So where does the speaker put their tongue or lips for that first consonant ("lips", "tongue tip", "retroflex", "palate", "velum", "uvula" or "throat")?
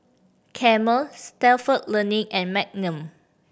velum